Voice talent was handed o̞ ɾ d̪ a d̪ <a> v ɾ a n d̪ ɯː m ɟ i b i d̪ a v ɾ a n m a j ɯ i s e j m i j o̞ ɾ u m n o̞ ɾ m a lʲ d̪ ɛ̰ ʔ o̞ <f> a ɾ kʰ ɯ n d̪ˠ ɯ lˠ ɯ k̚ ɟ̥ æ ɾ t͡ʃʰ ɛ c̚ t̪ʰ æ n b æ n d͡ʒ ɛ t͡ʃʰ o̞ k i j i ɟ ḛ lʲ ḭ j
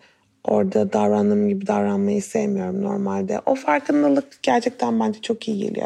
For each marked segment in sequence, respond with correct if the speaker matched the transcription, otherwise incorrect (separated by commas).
correct, correct